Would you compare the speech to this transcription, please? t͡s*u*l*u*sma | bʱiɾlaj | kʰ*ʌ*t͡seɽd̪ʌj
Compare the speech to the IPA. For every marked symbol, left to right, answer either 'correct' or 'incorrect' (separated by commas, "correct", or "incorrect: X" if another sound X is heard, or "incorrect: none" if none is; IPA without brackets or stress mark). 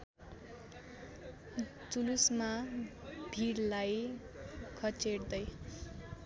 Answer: correct, correct, correct